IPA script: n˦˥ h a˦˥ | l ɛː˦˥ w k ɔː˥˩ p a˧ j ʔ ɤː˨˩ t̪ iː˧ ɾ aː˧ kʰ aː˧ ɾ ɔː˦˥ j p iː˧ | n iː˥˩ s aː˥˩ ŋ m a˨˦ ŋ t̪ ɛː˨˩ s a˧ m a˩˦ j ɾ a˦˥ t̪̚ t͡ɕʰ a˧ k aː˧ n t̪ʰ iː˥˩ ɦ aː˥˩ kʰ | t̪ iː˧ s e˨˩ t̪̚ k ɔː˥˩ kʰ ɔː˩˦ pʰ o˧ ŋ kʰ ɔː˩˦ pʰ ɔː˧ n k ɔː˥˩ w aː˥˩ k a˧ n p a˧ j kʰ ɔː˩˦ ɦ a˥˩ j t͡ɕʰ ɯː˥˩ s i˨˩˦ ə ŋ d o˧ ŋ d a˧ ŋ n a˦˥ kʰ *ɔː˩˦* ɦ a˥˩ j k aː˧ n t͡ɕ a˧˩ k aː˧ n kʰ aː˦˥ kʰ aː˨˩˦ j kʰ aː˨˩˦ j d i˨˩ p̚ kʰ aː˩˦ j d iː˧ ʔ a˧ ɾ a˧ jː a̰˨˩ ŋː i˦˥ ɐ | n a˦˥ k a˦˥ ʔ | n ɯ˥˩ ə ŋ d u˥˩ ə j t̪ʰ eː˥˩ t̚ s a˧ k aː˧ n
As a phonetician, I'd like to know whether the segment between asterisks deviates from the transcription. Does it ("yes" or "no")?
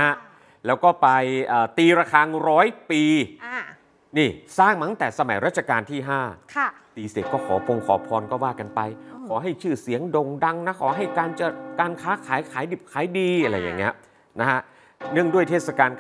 no